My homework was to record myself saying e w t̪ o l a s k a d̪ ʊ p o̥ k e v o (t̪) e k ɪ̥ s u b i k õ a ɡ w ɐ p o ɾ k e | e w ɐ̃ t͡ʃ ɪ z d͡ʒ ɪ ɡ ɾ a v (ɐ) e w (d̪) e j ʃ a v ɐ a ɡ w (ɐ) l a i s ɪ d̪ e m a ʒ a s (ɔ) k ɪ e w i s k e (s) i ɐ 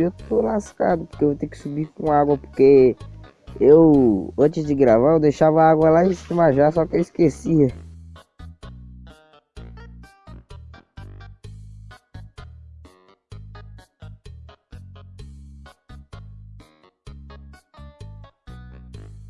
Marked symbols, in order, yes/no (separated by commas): yes, no, yes, yes, yes, yes